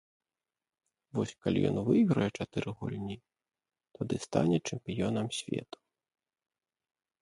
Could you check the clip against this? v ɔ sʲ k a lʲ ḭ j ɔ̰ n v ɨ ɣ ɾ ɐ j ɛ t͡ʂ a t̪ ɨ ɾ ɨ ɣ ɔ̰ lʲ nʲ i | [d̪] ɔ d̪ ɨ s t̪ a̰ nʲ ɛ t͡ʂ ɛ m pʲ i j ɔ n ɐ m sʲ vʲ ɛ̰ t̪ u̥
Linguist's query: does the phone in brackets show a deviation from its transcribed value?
yes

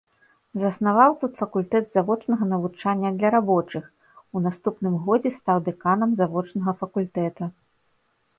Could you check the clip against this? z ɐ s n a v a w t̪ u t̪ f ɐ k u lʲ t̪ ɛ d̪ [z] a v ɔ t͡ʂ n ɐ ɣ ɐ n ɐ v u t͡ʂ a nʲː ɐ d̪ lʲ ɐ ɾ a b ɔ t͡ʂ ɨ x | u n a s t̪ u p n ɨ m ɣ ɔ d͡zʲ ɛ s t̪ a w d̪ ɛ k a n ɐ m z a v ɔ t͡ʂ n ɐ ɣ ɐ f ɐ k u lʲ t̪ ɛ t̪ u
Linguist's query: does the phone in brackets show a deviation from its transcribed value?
no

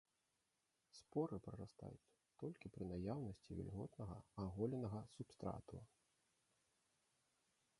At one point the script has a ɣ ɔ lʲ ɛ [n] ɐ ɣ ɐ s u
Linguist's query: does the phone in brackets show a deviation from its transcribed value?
no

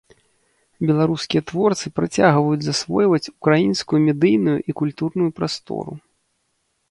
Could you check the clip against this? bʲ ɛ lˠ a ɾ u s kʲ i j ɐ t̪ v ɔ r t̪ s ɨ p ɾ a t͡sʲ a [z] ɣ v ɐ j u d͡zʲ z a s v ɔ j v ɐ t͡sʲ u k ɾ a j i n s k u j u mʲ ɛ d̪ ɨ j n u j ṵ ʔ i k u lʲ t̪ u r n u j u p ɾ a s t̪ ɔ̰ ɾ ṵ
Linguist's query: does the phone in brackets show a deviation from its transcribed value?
yes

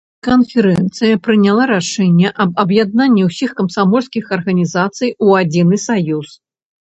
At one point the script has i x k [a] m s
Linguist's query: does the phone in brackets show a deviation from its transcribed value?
yes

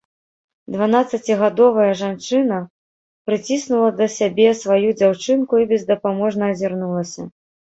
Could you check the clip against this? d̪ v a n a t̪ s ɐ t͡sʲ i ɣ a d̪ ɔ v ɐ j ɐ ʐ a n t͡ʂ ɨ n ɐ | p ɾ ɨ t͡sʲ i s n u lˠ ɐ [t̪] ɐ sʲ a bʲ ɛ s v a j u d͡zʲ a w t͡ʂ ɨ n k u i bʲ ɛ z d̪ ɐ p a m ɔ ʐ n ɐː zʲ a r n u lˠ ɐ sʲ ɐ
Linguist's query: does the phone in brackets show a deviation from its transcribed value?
yes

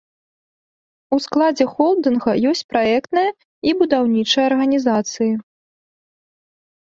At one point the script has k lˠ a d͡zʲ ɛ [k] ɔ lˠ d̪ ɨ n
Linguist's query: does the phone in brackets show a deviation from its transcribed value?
yes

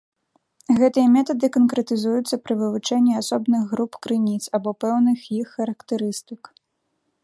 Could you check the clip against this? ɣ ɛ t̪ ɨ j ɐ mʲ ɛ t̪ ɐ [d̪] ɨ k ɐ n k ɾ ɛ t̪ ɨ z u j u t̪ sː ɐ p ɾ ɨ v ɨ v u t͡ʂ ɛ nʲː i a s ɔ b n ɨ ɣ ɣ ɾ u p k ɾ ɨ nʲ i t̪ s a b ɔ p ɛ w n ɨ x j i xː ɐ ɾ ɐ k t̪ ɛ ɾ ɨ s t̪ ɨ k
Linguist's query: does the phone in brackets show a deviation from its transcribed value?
no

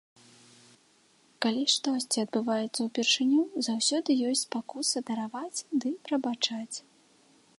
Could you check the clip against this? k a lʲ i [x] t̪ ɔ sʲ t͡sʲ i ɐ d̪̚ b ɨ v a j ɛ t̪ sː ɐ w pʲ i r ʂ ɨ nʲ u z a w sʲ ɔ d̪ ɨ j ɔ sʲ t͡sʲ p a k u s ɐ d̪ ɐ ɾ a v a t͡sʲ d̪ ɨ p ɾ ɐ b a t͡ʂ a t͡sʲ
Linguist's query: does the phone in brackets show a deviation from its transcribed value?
yes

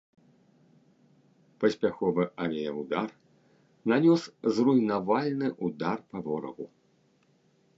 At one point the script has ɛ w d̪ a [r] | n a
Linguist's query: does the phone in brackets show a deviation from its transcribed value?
no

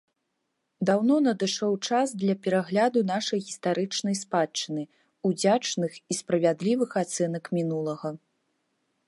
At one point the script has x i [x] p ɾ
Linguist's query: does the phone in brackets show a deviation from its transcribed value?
yes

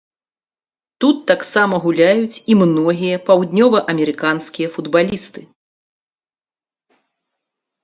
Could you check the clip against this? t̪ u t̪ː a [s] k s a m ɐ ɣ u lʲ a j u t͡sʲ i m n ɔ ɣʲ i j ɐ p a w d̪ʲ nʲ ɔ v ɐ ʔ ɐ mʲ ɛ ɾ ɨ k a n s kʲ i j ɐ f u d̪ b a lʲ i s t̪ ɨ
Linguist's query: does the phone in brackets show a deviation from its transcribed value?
yes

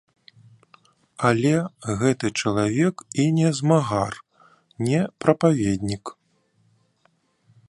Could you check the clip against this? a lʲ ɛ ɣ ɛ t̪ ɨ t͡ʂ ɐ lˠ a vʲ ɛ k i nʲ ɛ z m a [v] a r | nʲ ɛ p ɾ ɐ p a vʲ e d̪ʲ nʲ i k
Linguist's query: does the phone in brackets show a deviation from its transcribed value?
yes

